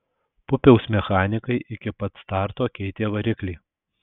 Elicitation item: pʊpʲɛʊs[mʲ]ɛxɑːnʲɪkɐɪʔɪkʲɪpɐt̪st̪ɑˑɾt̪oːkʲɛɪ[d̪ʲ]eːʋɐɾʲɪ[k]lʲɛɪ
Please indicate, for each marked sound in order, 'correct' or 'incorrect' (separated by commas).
correct, incorrect, correct